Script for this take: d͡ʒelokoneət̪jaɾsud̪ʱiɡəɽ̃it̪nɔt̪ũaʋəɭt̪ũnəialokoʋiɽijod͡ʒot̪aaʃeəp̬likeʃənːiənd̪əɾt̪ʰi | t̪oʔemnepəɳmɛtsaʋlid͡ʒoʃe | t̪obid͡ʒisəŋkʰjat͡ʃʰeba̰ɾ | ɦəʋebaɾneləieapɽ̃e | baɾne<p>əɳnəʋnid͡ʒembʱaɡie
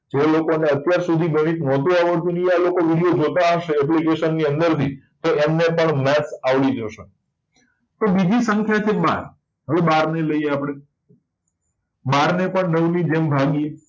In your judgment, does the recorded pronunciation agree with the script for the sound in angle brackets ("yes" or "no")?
yes